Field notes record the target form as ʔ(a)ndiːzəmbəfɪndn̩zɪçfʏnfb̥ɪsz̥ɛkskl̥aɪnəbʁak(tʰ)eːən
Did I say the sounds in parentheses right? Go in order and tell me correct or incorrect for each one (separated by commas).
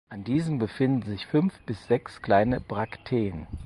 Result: correct, correct